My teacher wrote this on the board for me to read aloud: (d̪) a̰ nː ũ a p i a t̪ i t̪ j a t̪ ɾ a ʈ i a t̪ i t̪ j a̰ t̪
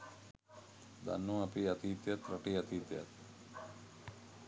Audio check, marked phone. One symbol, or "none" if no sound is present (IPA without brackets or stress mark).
d̪